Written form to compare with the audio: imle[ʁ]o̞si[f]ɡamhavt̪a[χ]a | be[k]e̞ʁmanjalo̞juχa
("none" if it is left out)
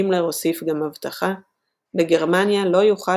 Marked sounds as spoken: ʁ, f, χ, ɡ

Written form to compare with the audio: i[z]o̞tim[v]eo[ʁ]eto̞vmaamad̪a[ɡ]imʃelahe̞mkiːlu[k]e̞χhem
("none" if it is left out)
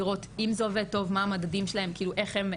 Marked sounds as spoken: ʁ, z, v, d, ʔ

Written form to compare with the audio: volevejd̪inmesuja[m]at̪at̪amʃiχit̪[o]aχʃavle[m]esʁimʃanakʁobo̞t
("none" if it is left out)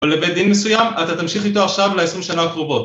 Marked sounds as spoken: m, o, none

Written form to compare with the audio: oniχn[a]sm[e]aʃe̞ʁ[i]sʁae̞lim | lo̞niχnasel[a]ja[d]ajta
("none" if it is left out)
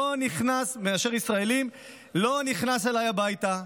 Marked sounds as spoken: a, e, i, a, b

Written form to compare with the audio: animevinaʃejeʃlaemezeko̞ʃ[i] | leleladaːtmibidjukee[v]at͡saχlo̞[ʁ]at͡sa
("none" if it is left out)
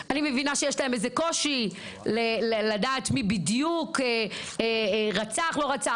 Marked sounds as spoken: i, ʁ, ʁ

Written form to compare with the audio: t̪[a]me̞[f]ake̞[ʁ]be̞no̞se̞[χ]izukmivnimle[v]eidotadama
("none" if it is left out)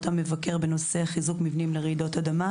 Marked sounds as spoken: a, v, ʁ, χ, ʁ

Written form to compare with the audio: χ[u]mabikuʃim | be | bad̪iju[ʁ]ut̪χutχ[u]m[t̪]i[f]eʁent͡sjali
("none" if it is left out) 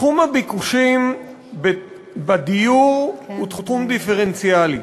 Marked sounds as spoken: u, ʁ, u, d̪, f

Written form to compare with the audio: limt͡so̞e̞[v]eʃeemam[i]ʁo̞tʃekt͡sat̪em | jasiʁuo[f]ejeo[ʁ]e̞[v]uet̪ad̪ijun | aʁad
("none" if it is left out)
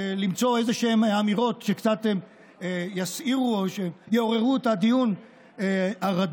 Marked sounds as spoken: z, i, ʃ, ʁ, ʁ

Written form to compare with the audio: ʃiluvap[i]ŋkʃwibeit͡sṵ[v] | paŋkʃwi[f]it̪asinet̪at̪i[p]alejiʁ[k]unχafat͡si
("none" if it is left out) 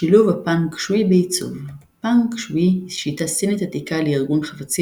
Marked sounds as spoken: a, v, ʃ, k, ɡ

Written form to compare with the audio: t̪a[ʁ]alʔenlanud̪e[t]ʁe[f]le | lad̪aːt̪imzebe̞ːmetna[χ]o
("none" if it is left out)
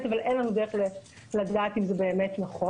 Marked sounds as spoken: v, none, χ, χ

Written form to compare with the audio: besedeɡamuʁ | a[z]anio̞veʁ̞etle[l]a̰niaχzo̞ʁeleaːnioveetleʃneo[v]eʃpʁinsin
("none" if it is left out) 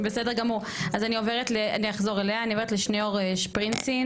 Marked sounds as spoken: z, none, ʁ

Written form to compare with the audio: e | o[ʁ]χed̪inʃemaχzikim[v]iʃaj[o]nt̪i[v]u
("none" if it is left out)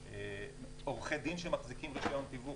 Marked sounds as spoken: ʁ, ʁ, o, v

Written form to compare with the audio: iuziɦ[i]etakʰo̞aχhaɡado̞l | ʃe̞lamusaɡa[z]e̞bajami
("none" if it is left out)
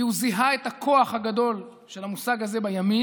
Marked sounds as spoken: a, z

